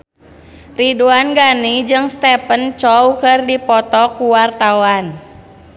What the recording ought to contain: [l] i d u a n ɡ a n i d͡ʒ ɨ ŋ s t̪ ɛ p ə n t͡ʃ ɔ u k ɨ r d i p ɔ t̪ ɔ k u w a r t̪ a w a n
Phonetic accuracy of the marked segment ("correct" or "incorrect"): incorrect